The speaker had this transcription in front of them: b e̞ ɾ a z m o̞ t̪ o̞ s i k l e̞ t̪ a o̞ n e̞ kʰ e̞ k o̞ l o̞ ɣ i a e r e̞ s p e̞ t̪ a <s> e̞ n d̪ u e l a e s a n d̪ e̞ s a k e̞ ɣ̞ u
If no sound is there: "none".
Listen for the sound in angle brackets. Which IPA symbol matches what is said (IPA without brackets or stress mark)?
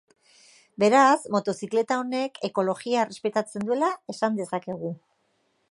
t͡s